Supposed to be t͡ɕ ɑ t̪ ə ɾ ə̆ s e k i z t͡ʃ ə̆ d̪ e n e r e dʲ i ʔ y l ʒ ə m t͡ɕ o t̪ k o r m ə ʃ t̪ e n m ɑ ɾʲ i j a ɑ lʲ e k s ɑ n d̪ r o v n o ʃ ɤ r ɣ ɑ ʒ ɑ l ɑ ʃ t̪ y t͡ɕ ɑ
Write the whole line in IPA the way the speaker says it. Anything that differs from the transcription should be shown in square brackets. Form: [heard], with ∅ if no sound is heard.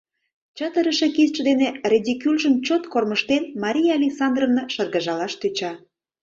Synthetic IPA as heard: t͡ɕ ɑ t̪ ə ɾ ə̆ [ʃ] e k i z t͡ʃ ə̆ d̪ e n e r e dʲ i [k] y l ʒ ə m t͡ɕ o t̪ k o r m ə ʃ t̪ e n m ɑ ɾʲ i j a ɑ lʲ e k s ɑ n d̪ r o v n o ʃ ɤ r ɣ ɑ ʒ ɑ l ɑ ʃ t̪ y t͡ɕ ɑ